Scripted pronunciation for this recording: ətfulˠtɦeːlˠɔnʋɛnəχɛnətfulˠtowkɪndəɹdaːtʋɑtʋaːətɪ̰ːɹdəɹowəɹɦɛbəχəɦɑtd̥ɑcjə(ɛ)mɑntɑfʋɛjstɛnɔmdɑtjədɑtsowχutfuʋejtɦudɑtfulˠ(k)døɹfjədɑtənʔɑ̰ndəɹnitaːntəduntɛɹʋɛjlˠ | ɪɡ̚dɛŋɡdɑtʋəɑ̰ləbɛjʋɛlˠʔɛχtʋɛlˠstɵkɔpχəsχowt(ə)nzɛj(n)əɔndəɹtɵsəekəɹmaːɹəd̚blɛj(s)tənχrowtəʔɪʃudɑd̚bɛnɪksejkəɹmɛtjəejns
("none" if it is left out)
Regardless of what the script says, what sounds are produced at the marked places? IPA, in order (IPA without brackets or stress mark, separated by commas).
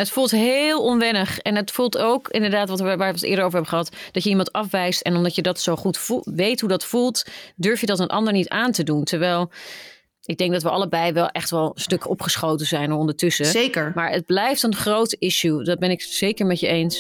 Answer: i, t, ə, n, f